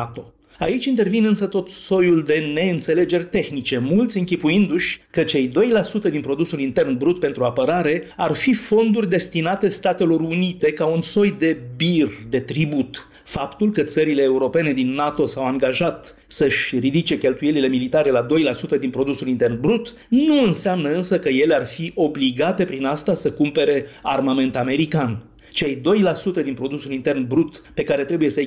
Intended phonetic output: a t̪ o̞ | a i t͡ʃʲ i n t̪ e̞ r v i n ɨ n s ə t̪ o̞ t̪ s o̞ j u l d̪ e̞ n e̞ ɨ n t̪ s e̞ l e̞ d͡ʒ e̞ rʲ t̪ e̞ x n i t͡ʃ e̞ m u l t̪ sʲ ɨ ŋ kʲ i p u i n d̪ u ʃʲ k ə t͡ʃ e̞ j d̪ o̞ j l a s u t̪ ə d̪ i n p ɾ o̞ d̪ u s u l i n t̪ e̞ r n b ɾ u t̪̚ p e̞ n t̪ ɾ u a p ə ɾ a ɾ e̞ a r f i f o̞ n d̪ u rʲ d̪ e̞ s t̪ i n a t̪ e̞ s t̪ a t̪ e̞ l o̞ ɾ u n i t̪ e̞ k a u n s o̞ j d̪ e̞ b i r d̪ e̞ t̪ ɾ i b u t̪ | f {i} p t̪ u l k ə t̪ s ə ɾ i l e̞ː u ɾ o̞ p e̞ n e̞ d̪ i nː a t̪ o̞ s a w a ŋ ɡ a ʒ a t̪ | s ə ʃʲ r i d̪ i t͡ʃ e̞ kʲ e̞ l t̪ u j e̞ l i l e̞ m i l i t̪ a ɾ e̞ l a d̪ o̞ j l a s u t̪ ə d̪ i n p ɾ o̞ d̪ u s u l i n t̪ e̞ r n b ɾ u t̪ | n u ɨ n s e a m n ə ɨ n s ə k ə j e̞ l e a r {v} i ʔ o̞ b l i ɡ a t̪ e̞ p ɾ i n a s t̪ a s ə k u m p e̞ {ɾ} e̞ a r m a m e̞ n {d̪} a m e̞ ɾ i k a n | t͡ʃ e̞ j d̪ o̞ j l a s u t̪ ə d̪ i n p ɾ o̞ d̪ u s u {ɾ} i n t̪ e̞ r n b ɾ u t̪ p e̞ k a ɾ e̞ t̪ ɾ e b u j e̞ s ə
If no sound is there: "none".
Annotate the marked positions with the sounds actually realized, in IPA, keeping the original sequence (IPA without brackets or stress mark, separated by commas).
a, f, ɾ, t̪, l